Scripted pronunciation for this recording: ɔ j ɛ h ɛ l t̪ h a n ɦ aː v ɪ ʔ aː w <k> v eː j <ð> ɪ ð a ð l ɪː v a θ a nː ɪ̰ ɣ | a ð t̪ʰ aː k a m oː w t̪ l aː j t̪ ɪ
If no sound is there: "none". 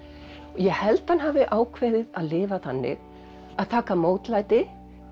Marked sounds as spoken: kʰ, ð

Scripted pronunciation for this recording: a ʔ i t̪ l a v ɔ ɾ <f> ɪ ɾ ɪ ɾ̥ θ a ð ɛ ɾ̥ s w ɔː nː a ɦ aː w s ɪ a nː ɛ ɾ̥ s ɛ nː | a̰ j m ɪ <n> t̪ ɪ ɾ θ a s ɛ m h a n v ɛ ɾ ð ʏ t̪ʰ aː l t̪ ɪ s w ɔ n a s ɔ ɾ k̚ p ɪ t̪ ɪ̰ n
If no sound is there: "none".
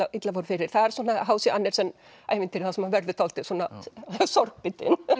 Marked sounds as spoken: f, n

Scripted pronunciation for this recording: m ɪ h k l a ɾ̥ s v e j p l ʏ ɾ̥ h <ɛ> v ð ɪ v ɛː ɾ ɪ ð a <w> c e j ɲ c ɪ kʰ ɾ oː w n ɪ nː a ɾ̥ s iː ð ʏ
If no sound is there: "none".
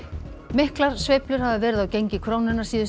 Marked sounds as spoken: a, w

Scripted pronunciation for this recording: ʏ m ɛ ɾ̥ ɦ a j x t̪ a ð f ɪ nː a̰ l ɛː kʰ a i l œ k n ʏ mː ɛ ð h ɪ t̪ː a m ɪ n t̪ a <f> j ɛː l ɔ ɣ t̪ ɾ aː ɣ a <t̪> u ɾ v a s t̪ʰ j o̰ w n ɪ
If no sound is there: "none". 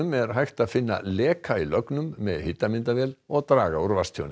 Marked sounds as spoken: v, none

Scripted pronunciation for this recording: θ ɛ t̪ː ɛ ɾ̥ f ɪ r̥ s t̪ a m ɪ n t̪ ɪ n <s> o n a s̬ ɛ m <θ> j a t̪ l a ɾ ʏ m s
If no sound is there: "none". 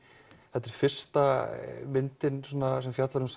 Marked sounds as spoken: s, f

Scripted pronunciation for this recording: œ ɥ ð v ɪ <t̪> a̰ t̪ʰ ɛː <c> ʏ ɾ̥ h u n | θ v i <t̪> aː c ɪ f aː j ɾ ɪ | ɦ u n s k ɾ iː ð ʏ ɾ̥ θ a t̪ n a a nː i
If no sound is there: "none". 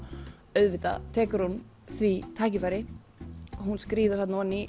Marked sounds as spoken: t̪, k, t̪ʰ

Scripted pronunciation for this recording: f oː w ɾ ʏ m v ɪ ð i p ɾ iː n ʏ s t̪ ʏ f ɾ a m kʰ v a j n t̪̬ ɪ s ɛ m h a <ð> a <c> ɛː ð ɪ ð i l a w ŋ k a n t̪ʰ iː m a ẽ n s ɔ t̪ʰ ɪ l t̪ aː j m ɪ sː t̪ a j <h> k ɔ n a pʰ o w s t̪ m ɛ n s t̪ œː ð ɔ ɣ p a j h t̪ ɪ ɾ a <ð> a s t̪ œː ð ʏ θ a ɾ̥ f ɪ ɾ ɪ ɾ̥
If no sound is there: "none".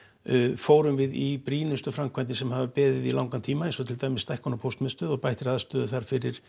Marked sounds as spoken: v, p, h, ð

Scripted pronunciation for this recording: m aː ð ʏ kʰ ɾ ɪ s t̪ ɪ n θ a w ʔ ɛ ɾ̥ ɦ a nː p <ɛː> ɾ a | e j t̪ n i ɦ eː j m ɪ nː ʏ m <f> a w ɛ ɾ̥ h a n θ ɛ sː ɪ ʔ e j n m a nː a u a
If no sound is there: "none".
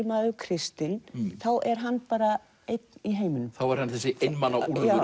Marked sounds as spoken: aː, θ

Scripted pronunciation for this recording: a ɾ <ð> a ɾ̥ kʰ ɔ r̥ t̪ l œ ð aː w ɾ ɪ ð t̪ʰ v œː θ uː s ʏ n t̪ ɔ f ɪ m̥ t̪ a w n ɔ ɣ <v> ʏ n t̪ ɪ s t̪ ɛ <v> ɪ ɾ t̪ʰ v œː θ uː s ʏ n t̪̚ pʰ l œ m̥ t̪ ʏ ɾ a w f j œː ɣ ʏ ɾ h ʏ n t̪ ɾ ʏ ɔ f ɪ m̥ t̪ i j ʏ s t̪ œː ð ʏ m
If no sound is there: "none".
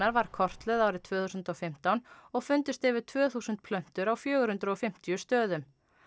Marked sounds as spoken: v, f, v

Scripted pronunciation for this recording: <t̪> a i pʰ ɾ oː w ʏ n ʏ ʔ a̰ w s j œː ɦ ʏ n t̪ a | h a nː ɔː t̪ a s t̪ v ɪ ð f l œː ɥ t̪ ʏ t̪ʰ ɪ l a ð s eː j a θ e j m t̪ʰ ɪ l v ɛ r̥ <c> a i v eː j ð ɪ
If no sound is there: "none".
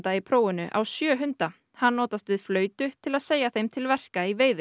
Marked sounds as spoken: t̪, k

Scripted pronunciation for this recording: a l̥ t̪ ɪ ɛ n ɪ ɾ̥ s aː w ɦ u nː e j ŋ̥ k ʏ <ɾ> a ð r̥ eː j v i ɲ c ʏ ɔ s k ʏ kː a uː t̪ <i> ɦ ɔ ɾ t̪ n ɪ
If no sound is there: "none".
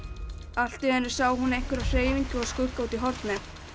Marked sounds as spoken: ɾ, i

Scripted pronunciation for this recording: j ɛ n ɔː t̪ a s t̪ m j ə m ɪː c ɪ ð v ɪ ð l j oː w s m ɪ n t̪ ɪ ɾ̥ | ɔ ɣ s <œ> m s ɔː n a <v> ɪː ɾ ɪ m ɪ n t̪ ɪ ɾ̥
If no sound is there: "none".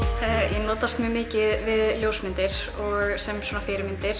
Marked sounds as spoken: ɛ, f

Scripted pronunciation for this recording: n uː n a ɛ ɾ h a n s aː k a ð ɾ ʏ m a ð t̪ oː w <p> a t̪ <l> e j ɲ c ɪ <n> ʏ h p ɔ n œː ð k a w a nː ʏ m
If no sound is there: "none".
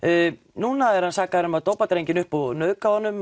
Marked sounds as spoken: p, ɾ, n

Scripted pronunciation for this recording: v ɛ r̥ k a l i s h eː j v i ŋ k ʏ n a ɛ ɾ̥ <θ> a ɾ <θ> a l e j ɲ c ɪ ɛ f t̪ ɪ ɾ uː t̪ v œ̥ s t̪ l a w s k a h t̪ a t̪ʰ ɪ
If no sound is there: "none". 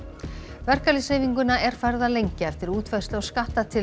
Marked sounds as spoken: f, ð

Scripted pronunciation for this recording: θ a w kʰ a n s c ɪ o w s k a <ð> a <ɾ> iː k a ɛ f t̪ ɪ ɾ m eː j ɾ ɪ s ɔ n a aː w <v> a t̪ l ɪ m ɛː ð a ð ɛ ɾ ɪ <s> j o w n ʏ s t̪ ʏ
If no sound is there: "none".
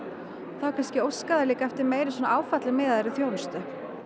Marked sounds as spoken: ð, l, f, θ

